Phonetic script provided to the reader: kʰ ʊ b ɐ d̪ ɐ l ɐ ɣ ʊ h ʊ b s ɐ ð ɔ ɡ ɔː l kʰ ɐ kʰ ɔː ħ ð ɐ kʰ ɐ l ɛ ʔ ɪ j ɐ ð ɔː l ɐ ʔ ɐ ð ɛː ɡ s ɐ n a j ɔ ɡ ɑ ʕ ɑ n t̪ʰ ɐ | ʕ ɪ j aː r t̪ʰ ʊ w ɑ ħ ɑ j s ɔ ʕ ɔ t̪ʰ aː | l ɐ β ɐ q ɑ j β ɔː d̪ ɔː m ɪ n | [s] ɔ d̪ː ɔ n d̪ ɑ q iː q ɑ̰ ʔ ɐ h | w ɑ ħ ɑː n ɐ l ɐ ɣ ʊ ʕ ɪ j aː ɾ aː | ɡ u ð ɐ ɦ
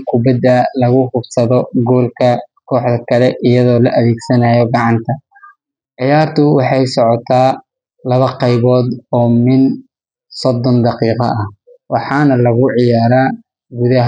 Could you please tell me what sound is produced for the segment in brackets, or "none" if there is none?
s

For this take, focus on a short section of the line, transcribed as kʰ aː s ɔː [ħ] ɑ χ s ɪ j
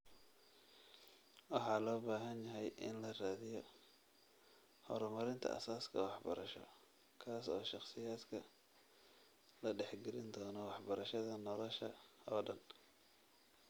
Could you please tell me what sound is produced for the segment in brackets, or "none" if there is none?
ʃ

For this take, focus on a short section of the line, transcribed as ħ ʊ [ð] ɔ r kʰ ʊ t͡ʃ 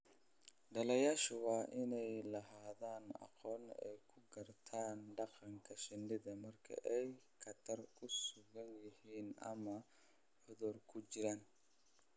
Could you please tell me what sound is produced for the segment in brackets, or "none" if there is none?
ð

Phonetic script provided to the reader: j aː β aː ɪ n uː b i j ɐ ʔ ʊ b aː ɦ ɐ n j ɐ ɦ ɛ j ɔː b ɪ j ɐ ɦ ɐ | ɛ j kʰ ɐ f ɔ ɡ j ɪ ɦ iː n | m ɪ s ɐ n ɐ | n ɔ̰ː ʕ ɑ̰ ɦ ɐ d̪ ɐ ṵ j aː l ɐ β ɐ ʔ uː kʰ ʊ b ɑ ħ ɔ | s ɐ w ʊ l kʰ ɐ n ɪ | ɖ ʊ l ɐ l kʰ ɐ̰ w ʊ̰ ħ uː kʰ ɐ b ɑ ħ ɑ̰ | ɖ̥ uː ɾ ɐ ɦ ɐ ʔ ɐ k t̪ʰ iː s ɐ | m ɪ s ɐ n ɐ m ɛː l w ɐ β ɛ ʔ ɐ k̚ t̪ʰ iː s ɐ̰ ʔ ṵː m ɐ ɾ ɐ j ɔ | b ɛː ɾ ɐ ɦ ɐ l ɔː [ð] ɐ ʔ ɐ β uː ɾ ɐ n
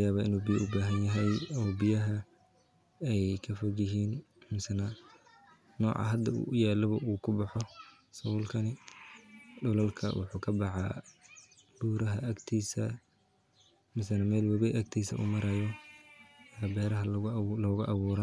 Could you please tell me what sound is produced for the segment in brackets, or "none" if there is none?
ɣ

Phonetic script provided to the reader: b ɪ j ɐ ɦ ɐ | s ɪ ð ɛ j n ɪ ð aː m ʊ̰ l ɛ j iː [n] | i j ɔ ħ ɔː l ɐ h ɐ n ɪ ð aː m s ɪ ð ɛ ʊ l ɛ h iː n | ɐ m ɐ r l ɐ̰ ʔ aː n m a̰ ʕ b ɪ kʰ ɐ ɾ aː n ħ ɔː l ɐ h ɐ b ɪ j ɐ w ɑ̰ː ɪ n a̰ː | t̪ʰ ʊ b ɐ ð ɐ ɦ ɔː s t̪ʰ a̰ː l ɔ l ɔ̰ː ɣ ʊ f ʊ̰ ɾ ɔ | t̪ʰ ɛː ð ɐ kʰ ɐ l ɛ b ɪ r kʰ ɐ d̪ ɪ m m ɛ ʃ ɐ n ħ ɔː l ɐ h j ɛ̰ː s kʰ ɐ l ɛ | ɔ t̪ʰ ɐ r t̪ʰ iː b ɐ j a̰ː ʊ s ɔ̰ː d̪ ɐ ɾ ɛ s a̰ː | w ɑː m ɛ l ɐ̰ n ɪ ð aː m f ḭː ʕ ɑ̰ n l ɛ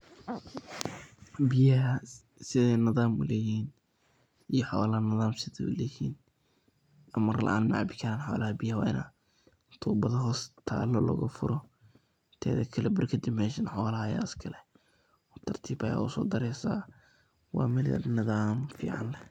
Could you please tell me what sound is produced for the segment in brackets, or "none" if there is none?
n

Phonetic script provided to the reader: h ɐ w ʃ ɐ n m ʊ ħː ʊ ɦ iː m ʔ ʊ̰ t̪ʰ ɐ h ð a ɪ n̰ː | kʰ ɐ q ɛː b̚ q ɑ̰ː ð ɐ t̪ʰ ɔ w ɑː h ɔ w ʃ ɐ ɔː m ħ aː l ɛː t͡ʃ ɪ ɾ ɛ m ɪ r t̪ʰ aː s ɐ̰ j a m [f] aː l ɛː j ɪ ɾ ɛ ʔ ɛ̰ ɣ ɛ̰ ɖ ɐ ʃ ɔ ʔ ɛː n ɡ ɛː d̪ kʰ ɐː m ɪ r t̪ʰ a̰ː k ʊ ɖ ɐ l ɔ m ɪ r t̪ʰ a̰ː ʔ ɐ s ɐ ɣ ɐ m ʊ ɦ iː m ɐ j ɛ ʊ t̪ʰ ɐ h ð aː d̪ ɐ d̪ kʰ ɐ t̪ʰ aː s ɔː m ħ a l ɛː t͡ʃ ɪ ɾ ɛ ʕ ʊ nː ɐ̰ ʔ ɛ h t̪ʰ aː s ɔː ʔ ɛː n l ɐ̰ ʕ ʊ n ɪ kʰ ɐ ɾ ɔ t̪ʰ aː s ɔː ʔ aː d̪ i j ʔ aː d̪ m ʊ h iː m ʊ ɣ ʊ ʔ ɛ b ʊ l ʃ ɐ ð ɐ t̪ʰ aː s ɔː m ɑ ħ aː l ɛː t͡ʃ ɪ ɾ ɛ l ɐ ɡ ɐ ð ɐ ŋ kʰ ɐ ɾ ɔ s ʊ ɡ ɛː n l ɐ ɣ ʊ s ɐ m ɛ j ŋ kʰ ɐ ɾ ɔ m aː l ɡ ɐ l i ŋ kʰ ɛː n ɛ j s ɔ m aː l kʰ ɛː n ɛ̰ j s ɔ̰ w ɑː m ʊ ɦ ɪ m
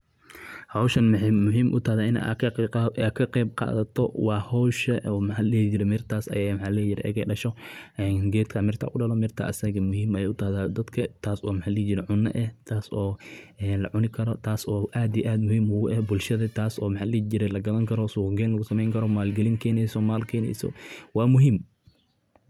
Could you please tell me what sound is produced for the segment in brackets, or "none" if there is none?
ħ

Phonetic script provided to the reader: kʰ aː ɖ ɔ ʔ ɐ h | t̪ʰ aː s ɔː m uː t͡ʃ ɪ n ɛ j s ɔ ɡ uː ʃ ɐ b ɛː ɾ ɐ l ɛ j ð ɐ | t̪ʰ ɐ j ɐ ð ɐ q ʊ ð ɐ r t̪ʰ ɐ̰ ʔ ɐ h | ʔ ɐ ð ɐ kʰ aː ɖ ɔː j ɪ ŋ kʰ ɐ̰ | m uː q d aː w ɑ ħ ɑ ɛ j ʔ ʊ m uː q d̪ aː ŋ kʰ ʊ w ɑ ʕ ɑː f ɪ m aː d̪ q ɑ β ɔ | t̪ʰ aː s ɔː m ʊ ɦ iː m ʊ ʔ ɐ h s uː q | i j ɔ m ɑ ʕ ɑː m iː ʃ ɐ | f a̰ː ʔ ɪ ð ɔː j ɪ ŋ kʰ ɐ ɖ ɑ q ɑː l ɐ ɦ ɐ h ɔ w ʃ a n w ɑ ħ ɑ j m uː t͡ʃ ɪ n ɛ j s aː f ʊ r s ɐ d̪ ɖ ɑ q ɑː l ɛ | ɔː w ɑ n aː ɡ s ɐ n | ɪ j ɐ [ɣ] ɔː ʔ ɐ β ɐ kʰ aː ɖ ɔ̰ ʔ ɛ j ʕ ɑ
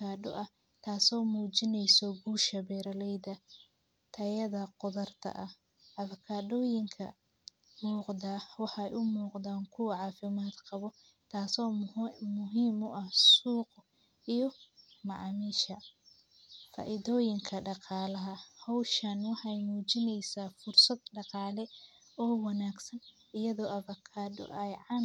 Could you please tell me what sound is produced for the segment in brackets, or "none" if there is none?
ð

